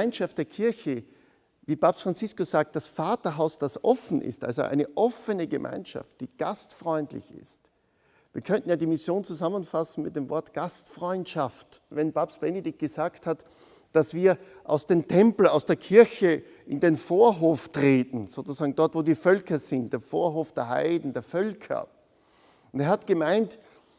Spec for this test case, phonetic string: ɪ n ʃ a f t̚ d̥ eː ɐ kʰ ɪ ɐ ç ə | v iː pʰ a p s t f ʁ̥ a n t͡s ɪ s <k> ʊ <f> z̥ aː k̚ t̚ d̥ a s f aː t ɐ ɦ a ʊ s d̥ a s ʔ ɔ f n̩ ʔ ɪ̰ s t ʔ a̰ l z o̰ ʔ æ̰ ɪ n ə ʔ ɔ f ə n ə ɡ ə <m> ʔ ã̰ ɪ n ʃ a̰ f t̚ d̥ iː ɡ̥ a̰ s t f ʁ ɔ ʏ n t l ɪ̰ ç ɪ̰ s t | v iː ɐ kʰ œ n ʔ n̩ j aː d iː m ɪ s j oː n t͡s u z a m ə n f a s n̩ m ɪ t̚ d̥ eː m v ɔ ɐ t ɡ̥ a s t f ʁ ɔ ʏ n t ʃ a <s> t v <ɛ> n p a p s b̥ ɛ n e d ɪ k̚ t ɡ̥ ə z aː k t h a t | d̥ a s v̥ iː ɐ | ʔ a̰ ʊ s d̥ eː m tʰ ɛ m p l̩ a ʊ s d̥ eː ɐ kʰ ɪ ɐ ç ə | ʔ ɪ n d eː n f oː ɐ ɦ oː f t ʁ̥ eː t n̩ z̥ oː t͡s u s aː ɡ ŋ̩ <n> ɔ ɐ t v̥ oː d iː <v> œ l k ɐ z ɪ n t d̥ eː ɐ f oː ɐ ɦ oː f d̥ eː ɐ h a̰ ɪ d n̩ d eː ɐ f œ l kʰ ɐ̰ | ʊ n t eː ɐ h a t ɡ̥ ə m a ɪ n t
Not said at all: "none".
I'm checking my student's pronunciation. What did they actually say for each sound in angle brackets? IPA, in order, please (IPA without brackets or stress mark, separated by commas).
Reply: k, s, m, f, ɛ, d, f